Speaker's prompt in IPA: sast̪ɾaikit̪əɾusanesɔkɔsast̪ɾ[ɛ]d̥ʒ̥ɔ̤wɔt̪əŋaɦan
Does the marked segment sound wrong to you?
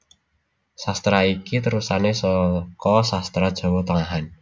yes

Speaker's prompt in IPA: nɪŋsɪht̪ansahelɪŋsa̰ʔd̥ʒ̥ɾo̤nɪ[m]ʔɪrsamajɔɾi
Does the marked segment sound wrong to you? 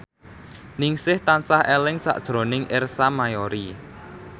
yes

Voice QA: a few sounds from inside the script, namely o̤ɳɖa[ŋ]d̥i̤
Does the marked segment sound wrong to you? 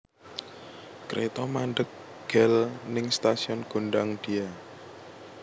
no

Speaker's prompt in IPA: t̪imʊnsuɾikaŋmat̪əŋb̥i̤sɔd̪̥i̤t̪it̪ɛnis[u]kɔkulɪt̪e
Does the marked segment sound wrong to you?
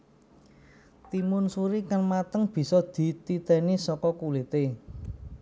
yes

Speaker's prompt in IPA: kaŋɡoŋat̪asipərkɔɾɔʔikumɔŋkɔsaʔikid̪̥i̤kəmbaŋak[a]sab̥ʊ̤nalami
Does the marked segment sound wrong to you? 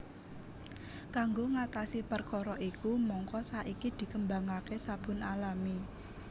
yes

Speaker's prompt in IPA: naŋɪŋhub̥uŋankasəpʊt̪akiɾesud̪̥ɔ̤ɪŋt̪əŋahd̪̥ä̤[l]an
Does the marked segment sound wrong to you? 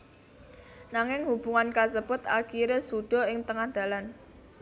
no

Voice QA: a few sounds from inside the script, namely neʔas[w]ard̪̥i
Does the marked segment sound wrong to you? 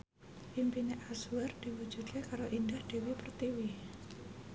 no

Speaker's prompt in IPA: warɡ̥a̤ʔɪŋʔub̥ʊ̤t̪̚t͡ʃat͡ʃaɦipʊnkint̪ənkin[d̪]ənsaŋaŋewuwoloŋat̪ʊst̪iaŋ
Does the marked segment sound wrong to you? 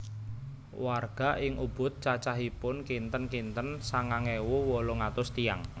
yes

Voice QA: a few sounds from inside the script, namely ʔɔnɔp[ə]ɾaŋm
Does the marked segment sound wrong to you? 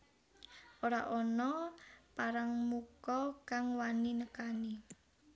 yes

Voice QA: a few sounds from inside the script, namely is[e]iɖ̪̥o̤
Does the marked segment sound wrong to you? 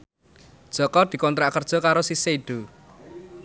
no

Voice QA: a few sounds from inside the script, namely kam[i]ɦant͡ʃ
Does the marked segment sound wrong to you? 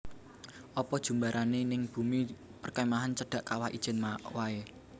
yes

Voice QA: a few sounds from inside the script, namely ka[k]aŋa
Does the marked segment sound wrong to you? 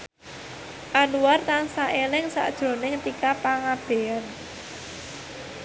yes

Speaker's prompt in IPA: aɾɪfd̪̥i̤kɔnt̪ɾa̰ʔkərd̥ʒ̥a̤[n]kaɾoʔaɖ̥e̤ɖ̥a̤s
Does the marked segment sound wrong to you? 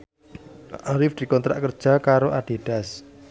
yes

